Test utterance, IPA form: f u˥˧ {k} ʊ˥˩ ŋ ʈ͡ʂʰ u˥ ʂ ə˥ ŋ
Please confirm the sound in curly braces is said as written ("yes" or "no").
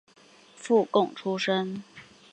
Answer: yes